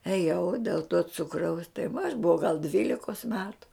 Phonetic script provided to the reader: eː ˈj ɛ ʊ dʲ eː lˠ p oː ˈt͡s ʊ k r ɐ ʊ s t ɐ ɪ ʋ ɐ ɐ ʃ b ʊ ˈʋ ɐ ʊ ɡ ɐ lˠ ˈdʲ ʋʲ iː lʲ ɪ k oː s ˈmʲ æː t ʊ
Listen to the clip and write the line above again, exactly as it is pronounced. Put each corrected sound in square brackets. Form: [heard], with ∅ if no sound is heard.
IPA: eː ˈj ɛ ʊ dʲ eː lˠ [t] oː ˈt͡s ʊ k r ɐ ʊ s t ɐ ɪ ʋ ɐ ɐ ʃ b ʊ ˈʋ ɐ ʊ ɡ ɐ lˠ ˈdʲ ʋʲ iː lʲ ɪ k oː s ˈmʲ æː t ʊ